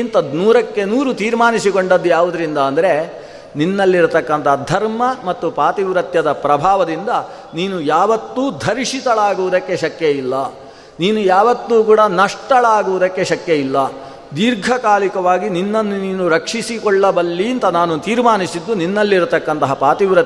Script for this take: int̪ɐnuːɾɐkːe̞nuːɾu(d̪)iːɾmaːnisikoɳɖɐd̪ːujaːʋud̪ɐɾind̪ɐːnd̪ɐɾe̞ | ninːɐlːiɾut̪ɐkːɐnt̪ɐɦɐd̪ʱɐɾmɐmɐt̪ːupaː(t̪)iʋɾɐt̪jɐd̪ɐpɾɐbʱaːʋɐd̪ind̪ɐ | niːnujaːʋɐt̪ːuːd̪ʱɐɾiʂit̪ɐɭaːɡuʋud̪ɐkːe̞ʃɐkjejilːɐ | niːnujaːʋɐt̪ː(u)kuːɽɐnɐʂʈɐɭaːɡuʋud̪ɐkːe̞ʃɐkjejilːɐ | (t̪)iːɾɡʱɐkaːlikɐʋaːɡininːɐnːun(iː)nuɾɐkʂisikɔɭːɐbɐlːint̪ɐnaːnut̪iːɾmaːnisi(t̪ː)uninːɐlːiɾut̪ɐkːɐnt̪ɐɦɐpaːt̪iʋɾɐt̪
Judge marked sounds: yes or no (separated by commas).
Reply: no, yes, no, no, yes, no